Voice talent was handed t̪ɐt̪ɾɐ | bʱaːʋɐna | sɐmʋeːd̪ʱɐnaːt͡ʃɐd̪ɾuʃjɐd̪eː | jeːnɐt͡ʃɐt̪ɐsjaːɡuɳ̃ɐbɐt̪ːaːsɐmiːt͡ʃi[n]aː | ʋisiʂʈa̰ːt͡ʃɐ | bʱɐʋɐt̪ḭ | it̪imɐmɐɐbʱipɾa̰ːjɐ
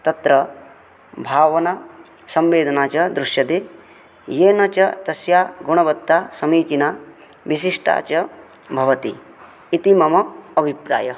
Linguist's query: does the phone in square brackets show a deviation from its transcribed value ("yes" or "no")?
no